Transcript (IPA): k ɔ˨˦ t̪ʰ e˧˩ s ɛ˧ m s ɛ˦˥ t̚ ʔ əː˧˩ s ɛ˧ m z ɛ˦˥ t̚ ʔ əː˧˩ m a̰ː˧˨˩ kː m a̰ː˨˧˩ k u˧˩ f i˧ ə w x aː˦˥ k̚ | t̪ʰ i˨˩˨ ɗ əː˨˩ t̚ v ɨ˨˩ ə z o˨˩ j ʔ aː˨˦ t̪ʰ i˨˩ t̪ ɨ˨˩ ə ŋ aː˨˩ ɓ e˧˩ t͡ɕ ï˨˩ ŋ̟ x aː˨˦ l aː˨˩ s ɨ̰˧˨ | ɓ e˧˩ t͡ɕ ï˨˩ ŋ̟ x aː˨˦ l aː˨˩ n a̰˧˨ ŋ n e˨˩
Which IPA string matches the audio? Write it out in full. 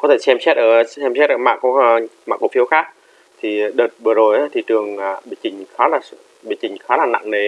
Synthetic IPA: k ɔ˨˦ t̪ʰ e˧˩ s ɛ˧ m s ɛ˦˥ t̚ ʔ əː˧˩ s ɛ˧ m s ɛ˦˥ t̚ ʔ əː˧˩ m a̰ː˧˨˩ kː m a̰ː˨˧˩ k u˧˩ f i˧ ə w x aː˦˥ k̚ | t̪ʰ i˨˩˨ ɗ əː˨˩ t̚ v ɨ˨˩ ə z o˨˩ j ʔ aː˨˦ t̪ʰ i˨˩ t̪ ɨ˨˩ ə ŋ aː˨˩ ɓ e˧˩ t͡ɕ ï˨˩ ŋ̟ x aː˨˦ l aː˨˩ s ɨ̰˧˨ | ɓ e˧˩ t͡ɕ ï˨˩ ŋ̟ x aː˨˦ l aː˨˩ n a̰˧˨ ŋ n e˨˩

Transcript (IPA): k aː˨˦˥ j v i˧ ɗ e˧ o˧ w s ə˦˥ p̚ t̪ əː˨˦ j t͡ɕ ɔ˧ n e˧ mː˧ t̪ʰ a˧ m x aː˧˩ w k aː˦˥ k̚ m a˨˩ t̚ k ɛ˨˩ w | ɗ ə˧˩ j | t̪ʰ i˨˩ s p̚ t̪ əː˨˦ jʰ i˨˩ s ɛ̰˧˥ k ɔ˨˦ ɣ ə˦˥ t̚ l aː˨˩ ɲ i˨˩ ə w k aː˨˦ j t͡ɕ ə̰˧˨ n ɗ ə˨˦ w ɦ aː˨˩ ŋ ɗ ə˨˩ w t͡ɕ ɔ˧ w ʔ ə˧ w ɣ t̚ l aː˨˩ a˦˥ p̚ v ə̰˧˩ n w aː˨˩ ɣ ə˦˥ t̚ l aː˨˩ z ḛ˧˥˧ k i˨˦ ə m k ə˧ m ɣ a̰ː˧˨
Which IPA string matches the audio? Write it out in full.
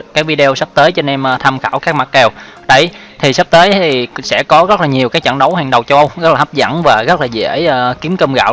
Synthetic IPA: k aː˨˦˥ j v i˧ ɗ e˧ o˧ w s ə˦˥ p̚ t̪ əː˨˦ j t͡ɕ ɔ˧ n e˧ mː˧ t̪ʰ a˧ m x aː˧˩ w k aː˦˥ k̚ m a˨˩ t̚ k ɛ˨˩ w | ɗ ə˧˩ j | t̪ʰ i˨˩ s p̚ t̪ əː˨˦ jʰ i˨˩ s ɛ̰˧˥ k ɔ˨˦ ɣ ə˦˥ t̚ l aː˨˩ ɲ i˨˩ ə w k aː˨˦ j t͡ɕ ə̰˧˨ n ɗ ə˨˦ w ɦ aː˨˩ ŋ ɗ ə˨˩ w t͡ɕ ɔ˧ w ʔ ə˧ w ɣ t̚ l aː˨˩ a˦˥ p̚ z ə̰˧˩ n v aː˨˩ ɣ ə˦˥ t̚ l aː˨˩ z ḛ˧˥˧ k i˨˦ ə m k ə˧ m ɣ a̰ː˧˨

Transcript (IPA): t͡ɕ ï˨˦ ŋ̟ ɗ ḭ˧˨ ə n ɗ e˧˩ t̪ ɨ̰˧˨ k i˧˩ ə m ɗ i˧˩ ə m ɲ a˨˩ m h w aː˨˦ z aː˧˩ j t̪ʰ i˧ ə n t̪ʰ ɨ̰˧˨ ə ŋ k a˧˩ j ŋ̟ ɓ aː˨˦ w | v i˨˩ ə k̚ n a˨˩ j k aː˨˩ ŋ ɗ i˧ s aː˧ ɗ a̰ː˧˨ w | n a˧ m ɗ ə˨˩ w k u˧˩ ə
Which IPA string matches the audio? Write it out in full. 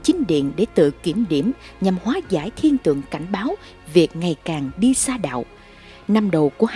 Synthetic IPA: t͡ɕ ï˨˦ ŋ̟ ɗ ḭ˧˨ ə n ɗ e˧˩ t̪ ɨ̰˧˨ k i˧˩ ə m ɗ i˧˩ ə m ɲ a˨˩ m h w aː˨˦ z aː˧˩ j t̪ʰ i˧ ə n t̪ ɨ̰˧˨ ə ŋ k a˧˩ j ŋ̟ ɓ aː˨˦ w | v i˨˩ ə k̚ ŋ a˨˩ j k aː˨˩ ŋ ɗ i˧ s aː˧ ɗ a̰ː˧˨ w | n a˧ m ɗ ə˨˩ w k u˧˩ ə

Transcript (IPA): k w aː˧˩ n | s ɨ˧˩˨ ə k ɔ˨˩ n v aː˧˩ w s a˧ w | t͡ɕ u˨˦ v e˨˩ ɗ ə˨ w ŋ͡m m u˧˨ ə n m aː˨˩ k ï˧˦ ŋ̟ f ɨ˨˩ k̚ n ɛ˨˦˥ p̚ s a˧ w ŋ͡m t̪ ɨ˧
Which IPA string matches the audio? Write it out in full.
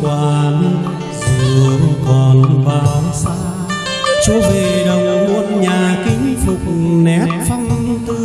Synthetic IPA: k w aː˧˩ n | z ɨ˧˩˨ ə k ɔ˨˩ n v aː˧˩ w s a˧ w | t͡ɕ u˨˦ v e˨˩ ɗ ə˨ w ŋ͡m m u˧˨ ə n ɲ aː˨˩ k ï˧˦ ŋ̟ f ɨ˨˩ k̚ n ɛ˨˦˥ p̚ f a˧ w ŋ͡m t̪ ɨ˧

